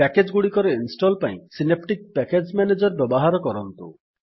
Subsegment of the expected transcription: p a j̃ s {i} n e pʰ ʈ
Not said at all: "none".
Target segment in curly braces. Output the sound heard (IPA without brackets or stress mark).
i